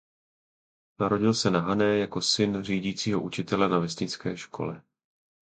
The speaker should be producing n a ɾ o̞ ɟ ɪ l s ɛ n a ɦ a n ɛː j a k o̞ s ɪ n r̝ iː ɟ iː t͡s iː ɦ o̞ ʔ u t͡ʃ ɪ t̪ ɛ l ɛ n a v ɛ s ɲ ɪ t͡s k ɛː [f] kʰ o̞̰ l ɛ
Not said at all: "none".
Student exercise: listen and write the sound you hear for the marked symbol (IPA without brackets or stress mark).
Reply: ʃ